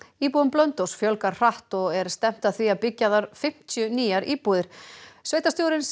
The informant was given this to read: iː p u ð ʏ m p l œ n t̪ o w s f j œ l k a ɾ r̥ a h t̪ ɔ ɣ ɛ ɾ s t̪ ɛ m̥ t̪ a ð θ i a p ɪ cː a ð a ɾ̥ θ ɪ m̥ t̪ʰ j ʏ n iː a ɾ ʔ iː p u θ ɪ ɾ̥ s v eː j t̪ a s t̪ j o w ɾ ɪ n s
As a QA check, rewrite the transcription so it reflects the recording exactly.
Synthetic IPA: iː p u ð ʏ m p l œ n t̪ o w s f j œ l k a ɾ r̥ a h t̪ ɔ ɣ ɛ ɾ s t̪ ɛ m̥ t̪ a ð θ i a p ɪ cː a ð a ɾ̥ f ɪ m̥ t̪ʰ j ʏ n iː a ɾ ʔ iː p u ð ɪ ɾ̥ s v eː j t̪ a s t̪ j o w ɾ ɪ n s